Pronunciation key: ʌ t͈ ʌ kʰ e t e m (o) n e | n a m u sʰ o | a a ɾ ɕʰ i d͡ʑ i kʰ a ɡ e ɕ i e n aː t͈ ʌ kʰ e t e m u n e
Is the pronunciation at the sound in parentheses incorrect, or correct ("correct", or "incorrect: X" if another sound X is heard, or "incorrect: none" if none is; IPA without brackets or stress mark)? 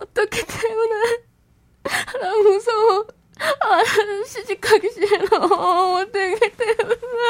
incorrect: u